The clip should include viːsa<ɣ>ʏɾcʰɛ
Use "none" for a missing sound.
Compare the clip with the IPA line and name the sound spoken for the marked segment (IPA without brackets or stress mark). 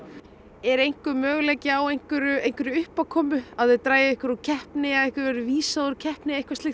ð